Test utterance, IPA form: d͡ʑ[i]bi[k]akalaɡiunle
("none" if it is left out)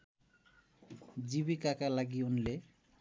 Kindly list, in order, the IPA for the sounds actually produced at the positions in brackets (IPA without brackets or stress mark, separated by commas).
i, k